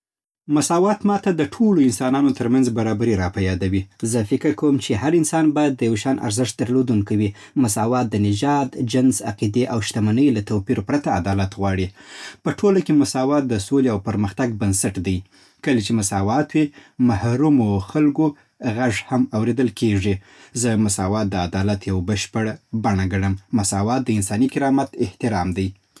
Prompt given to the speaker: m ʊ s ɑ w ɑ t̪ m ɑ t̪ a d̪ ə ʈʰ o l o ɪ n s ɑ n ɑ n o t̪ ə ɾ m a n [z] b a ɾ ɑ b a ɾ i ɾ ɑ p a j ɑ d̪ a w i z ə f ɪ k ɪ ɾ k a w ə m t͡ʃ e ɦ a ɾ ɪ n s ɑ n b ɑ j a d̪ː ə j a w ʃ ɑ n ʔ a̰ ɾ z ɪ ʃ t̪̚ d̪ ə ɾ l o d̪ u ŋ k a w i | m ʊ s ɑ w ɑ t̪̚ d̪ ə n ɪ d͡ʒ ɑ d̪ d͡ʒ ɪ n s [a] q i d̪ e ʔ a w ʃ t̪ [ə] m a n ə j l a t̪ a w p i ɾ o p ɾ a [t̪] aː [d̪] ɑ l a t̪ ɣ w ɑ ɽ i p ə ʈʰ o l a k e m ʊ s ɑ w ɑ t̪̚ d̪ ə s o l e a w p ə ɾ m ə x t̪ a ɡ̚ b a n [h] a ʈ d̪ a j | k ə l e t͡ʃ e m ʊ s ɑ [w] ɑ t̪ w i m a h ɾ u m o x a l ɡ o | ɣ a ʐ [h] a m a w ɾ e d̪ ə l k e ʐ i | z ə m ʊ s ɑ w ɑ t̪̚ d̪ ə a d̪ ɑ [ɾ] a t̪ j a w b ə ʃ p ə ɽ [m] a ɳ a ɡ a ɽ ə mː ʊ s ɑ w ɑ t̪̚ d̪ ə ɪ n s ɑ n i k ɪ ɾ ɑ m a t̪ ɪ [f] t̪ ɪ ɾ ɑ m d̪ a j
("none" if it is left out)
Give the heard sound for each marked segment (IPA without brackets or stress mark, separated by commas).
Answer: z, a, a, t̪, d̪, s, w, h, l, b, h